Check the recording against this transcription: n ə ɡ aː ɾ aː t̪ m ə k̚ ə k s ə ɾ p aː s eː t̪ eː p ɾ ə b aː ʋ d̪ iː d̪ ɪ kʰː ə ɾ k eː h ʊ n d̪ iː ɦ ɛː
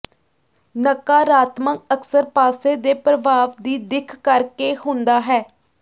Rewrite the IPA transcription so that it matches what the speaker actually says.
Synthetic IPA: n ə k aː ɾ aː t̪ m ə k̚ ə k s ə ɾ p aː s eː d̪ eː p ɾ ə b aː ʋ d̪ iː d̪ ɪ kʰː ə ɾ k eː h ʊ n d̪ aː ɦ ɛː